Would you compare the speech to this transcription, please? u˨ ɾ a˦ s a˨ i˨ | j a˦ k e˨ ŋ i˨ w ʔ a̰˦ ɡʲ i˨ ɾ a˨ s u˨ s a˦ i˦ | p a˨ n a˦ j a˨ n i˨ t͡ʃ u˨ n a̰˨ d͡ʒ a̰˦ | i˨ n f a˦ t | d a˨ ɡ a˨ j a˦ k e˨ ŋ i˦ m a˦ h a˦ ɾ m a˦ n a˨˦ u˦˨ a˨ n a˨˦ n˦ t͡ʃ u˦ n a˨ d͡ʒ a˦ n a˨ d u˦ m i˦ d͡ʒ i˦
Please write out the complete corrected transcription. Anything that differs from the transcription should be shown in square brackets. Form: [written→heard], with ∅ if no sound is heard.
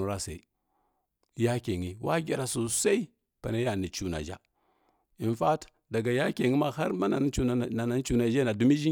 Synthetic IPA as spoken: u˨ ɾ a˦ s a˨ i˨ | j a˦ k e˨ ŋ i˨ w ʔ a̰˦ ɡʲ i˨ ɾ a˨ s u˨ s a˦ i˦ | p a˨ n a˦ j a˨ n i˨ t͡ʃ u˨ n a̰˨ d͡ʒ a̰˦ | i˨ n f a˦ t | d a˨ ɡ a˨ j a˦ k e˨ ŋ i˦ m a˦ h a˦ ɾ m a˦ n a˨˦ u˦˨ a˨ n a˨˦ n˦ t͡ʃ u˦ n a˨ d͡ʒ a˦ n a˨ d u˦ m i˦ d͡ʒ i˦